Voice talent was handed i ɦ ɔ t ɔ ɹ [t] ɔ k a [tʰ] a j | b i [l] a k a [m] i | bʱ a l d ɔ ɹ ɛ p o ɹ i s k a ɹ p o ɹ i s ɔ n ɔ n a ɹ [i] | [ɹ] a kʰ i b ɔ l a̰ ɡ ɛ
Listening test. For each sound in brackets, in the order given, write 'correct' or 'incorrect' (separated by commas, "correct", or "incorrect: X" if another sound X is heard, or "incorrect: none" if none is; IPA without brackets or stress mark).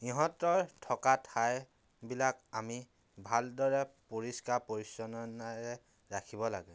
incorrect: tʰ, correct, correct, correct, incorrect: ɛ, correct